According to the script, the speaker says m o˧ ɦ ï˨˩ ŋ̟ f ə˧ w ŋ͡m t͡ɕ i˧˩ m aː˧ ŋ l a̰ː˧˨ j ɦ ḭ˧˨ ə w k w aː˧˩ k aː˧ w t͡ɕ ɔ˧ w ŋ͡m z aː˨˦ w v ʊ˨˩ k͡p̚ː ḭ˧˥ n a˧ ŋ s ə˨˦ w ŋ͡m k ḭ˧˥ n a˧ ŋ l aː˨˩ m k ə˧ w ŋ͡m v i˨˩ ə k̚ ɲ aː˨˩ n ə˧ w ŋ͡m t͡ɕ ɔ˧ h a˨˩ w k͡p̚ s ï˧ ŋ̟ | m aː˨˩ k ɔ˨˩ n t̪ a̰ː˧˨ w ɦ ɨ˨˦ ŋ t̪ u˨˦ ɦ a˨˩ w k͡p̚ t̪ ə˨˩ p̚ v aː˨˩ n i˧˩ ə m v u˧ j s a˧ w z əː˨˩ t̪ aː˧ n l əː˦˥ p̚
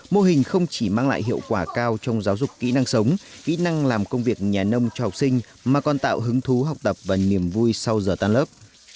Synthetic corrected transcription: m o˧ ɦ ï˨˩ ŋ̟ x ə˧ w ŋ͡m t͡ɕ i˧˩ m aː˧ ŋ l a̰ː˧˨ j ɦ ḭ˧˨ ə w k w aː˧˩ k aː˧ w t͡ɕ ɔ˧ w ŋ͡m z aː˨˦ w z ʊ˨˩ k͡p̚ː ḭ˧˥ n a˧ ŋ s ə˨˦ w ŋ͡m k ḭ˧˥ n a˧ ŋ l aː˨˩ m k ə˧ w ŋ͡m v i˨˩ ə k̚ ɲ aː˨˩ n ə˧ w ŋ͡m t͡ɕ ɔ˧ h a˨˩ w k͡p̚ s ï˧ ŋ̟ | m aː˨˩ k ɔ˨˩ n t̪ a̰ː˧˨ w ɦ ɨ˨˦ ŋ t̪ʰ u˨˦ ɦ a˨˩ w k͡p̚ t̪ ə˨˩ p̚ v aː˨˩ n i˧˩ ə m v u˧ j s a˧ w z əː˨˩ t̪ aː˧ n l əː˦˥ p̚

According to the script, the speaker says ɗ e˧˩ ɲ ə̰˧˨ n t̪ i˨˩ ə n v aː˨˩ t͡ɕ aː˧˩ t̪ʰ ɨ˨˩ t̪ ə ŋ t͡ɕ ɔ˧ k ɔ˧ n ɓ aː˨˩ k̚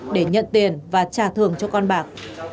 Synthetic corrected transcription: ɗ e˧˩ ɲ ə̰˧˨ n t̪ i˨˩ ə n v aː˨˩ t͡ɕ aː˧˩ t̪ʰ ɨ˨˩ ə ŋ t͡ɕ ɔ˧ k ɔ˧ n ɓ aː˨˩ k̚

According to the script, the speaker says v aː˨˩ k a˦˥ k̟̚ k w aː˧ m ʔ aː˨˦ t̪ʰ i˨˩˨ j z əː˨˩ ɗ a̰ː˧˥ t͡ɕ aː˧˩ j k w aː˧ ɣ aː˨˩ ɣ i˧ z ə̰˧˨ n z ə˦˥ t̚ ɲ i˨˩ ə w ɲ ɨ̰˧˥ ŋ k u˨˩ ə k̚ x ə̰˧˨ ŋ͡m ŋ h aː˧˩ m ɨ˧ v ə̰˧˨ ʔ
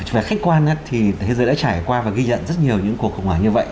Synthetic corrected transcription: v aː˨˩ x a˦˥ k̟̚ k w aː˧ n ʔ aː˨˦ t̪ʰ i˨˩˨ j z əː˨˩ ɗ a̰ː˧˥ t͡ɕ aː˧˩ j k w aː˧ v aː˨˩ ɣ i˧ z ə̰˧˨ n z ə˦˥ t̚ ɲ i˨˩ ə w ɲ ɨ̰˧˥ ŋ k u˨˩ ə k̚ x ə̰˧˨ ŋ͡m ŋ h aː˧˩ ɲ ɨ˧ v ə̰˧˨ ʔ

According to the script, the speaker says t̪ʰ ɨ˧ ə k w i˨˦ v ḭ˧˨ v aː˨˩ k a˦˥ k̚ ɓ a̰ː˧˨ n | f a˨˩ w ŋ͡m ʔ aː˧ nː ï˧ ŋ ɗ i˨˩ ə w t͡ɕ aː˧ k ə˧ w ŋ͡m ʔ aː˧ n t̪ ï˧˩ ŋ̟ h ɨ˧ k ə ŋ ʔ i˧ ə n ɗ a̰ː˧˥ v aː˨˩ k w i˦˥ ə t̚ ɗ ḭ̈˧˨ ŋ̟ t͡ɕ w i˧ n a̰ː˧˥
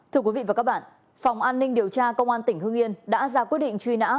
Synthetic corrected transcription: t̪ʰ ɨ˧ ə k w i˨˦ v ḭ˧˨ v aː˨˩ k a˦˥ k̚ ɓ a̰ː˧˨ n | f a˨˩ w ŋ͡m ʔ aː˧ nː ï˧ ŋ ɗ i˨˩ ə w t͡ɕ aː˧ k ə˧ w ŋ͡m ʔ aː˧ n t̪ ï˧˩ ŋ̟ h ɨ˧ ə ŋ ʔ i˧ ə n ɗ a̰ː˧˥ z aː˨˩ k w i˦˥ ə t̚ ɗ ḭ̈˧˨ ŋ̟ t͡ɕ w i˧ n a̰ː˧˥

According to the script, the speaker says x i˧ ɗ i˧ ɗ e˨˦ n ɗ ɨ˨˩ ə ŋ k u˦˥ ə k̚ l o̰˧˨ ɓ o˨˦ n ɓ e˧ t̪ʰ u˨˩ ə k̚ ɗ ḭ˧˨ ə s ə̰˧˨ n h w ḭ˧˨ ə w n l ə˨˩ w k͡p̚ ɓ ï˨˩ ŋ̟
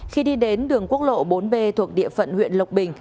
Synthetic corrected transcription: x i˧ ɗ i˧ ɗ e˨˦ n ɗ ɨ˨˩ ə ŋ k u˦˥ ə k̚ l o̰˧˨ ɓ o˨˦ n ɓ e˧ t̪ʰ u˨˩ ə k̚ ɗ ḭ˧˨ ə f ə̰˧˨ n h w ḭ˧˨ ə n l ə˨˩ w k͡p̚ ɓ ï˨˩ ŋ̟

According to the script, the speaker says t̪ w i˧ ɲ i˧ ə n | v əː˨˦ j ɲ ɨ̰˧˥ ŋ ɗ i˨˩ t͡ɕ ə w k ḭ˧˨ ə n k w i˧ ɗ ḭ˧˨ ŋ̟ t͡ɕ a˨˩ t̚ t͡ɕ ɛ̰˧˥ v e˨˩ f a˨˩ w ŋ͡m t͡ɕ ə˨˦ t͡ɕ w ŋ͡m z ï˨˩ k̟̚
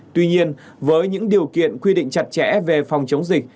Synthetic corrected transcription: t̪ w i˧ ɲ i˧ ə n | v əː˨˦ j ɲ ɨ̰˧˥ ŋ ɗ i˨˩ ə w k ḭ˧˨ ə n k w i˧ ɗ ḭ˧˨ ŋ̟ t͡ɕ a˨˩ t̚ t͡ɕ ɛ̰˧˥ v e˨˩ f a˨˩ w ŋ͡m t͡ɕ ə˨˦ w ŋ͡m z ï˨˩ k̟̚

